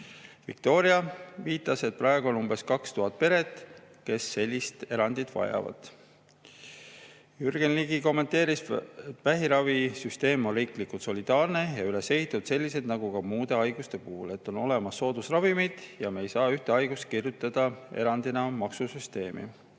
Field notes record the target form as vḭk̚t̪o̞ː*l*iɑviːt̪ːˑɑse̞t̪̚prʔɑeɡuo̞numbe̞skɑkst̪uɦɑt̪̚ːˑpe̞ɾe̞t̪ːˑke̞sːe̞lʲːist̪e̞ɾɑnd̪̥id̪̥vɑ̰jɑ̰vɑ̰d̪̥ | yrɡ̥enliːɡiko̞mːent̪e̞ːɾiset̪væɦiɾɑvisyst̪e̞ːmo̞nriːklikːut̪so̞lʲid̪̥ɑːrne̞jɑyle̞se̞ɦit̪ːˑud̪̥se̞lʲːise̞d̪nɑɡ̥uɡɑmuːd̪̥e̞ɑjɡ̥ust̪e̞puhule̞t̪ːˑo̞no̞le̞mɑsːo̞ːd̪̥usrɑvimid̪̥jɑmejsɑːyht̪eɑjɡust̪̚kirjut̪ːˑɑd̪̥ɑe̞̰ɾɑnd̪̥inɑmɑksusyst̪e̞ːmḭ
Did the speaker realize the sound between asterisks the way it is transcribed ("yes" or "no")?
no